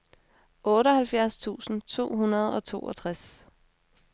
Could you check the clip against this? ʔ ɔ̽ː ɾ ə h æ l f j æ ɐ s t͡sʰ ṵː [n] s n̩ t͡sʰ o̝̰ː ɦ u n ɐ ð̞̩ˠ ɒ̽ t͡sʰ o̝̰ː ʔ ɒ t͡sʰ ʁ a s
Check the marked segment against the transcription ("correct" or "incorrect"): incorrect